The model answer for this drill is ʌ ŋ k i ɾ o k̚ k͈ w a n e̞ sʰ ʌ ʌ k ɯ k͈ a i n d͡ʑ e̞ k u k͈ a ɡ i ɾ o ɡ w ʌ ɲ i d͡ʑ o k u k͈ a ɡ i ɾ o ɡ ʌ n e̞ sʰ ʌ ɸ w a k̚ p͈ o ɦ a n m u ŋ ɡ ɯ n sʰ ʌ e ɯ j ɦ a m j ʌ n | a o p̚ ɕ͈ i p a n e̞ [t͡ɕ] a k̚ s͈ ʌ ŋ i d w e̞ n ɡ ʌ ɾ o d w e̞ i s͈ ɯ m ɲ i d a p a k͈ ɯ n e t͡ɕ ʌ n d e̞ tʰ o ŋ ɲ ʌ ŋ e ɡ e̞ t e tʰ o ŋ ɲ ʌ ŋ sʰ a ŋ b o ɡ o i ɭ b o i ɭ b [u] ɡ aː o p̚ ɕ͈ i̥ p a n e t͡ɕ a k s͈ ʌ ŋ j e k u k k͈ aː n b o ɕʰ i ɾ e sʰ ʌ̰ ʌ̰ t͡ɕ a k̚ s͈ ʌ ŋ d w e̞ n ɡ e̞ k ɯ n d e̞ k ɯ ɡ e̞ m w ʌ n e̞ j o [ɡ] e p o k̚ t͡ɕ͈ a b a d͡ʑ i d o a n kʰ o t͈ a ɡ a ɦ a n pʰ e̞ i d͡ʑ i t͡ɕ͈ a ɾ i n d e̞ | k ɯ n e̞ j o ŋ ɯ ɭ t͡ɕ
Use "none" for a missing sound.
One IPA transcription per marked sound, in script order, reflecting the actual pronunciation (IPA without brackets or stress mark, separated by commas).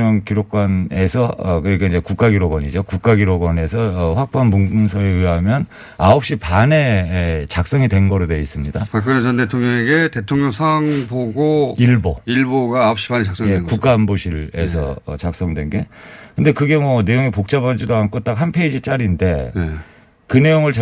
t͡ɕ, o, ŋ